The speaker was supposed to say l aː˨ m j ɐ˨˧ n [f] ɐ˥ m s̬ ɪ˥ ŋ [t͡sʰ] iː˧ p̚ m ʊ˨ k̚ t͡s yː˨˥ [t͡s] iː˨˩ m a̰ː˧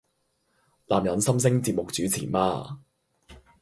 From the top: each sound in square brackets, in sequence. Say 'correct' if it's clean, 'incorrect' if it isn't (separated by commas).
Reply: incorrect, incorrect, incorrect